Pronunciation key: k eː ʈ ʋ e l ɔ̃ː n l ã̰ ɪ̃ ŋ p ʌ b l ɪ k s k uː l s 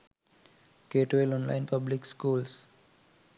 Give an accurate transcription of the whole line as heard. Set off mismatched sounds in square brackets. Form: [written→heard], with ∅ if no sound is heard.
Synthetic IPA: k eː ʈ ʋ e l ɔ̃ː n l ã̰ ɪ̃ [ŋ→n] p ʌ b l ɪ k s k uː l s